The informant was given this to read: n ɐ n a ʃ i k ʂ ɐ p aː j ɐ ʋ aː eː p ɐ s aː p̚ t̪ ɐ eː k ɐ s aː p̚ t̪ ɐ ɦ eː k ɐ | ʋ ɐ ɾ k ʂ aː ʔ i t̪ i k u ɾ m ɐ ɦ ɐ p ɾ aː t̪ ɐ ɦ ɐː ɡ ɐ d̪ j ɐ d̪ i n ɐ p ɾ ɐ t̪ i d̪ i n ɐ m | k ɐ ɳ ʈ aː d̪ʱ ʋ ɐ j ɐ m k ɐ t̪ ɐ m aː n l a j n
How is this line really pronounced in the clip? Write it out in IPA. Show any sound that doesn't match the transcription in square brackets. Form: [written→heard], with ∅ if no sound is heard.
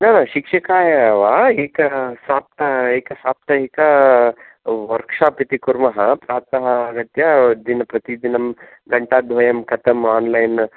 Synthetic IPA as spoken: n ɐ n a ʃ i k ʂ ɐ [p→k] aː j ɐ ʋ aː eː [p→k] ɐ s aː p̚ t̪ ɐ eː k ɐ s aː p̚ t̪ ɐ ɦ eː k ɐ | ʋ ɐ ɾ k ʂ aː [ʔ→p] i t̪ i k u ɾ m ɐ ɦ ɐ p ɾ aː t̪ ɐ ɦ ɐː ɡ ɐ [d̪→t̪] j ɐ d̪ i n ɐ p ɾ ɐ t̪ i d̪ i n ɐ m | [k→ɡ] ɐ ɳ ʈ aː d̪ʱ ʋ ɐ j ɐ m k ɐ t̪ ɐ m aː n l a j n

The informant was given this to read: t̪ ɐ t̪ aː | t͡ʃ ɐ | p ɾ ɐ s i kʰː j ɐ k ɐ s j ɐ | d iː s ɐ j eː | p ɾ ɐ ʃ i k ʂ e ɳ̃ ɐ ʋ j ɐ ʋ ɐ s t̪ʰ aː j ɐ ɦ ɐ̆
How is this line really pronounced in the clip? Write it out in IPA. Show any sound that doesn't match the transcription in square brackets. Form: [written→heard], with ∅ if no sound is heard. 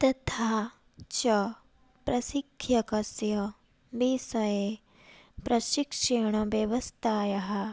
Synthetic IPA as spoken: t̪ ɐ [t̪→t̪ʰ] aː | t͡ʃ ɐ | p ɾ ɐ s i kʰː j ɐ k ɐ s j ɐ | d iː s ɐ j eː | p ɾ ɐ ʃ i k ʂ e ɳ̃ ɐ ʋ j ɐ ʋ ɐ s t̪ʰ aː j ɐ ɦ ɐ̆

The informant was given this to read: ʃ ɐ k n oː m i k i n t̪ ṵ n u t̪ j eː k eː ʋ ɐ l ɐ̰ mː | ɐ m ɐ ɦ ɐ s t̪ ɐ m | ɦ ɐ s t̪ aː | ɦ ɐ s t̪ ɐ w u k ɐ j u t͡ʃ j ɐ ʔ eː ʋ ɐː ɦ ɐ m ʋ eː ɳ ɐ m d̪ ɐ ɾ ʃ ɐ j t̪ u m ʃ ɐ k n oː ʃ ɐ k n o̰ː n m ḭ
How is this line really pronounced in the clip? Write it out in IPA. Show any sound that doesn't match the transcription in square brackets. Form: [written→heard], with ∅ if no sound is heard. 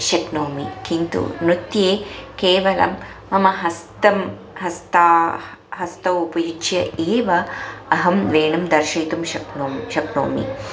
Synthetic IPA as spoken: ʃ ɐ k n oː m i k i n t̪ ṵ n u t̪ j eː k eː ʋ ɐ l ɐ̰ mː | ɐ m ɐ ɦ ɐ s t̪ ɐ m | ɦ ɐ s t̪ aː | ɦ ɐ s t̪ ɐ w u [k→p] ɐ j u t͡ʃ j ɐ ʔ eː ʋ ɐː ɦ ɐ m ʋ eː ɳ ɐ m d̪ ɐ ɾ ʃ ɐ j t̪ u m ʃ ɐ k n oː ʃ ɐ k n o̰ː [n→∅] m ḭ

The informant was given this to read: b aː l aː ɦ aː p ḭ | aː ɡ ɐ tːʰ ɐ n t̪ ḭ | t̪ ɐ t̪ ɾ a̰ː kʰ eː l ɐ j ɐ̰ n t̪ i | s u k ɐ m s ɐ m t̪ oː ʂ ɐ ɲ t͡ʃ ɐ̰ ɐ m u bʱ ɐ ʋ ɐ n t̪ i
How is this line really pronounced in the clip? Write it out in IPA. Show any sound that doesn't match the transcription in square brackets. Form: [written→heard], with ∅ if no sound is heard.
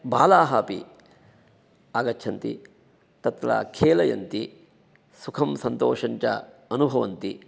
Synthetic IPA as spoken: b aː l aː ɦ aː p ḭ | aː ɡ ɐ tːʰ ɐ n t̪ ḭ | t̪ ɐ t̪ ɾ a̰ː kʰ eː l ɐ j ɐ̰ n t̪ i | s u [k→kʰ] ɐ m s ɐ [m→n] t̪ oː ʂ ɐ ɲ t͡ʃ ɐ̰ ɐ [m→n] u bʱ ɐ ʋ ɐ n t̪ i

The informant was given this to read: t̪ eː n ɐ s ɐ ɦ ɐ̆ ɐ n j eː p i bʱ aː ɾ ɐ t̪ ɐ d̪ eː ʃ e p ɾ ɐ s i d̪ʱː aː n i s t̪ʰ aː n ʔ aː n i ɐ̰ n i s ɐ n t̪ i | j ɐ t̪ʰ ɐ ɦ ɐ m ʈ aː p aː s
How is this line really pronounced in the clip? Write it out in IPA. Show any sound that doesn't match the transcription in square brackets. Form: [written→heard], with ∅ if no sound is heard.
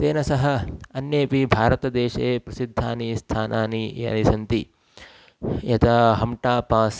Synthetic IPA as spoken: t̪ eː n ɐ s ɐ ɦ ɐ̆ ɐ n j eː p i bʱ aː ɾ ɐ t̪ ɐ d̪ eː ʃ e p ɾ ɐ s i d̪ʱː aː n i s t̪ʰ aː n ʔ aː n i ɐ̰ n i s ɐ n t̪ i | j ɐ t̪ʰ ɐ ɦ ɐ m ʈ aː p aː s

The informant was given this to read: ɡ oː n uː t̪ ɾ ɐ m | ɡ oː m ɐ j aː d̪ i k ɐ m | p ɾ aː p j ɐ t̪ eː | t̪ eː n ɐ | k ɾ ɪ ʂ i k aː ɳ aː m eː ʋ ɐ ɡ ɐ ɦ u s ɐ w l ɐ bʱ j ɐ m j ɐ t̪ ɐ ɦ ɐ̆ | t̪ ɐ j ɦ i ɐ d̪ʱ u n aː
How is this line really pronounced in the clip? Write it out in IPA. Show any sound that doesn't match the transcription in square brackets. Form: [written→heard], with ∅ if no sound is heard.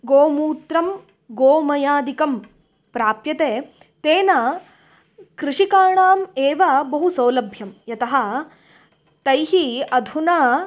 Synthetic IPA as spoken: ɡ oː [n→m] uː t̪ ɾ ɐ m | ɡ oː m ɐ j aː d̪ i k ɐ m | p ɾ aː p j ɐ t̪ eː | t̪ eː n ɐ | k ɾ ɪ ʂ i k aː ɳ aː m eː ʋ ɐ [ɡ→b] ɐ ɦ u s ɐ w l ɐ bʱ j ɐ m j ɐ t̪ ɐ ɦ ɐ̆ | t̪ ɐ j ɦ i ɐ d̪ʱ u n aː

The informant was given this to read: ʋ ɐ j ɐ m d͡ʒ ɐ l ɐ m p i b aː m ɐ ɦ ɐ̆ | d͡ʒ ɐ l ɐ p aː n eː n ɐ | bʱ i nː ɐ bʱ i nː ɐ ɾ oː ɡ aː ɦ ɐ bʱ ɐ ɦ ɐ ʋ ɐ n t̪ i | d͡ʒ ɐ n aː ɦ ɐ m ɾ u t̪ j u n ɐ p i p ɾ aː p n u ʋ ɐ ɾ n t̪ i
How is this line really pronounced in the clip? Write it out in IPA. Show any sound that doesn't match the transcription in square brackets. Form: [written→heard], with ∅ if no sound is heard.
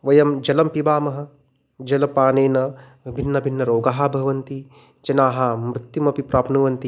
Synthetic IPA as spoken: ʋ ɐ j ɐ m d͡ʒ ɐ l ɐ m p i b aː m ɐ ɦ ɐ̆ | d͡ʒ ɐ l ɐ p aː n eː n ɐ | bʱ i nː ɐ bʱ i nː ɐ ɾ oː ɡ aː ɦ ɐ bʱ ɐ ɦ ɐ ʋ ɐ n t̪ i | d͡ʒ ɐ n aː ɦ ɐ m ɾ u t̪ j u [n→m] ɐ p i p ɾ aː p n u ʋ ɐ [ɾ→∅] n t̪ i

